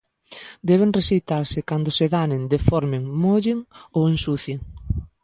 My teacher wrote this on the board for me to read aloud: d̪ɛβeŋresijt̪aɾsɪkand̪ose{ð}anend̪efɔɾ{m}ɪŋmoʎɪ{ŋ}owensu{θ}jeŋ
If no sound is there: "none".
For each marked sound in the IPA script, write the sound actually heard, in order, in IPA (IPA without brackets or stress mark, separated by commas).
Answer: ð, m, ŋ, θ